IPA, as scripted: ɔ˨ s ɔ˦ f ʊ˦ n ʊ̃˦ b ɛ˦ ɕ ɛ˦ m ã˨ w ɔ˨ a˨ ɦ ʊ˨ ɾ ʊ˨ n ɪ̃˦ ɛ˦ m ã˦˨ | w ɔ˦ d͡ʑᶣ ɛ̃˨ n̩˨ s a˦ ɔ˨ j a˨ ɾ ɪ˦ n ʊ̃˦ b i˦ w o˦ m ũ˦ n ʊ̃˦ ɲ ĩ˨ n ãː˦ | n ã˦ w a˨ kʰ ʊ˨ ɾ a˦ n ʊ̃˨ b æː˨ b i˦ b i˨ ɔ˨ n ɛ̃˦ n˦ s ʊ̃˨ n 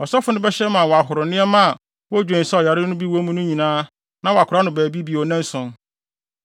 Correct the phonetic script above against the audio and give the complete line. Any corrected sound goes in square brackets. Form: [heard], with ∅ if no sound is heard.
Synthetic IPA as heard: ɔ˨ s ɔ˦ f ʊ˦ n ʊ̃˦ b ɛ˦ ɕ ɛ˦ m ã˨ w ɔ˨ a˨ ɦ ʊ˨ ɾ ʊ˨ n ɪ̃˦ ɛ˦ m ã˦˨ | w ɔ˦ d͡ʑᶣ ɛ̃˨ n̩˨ s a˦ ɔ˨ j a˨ ɾ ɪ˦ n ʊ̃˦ b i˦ w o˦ m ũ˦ n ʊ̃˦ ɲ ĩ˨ n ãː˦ | n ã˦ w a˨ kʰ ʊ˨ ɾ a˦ n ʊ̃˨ b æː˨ b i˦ b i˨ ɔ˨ n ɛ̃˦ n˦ s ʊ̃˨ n